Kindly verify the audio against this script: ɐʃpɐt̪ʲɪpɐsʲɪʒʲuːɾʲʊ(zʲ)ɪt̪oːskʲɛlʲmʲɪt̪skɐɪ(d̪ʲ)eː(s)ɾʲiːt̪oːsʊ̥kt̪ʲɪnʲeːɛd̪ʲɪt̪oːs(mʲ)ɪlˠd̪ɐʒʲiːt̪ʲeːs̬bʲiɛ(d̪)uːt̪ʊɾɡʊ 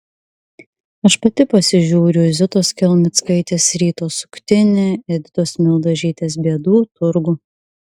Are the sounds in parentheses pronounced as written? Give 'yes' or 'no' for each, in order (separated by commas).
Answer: yes, no, yes, yes, yes